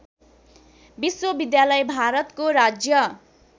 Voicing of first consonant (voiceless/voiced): voiced